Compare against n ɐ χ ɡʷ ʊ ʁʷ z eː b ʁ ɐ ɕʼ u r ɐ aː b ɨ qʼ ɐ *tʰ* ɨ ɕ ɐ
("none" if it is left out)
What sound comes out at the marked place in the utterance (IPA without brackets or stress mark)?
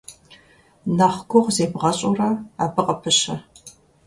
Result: pʰ